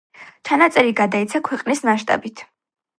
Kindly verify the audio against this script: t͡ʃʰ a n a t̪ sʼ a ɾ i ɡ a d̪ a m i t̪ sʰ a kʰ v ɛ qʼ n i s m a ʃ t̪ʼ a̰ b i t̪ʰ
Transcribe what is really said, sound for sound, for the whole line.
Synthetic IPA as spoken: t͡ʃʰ a n a t̪ sʼ ɛ ɾ i ɡ a d̪ a i t̪ sʰ a kʰ w ɛ qʼ n i s m a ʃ t̪ʼ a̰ b i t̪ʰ

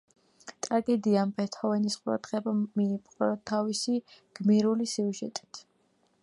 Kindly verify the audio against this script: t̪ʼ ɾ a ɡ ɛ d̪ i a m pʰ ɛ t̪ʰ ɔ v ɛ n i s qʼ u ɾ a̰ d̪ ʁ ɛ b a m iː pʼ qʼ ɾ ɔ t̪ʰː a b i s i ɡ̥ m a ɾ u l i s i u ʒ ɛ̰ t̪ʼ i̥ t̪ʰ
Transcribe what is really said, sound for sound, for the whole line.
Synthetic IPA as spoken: t̪ʼ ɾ a ɡ ɛ d̪ i a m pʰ ɛ t̪ʰ ɔ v ɛ n i s qʼ u ɾ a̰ d̪ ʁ ɛ b a m iː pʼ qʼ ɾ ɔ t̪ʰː a v i s i ɡ̥ m i ɾ u l i s i u ʒ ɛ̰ t̪ʼ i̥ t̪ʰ

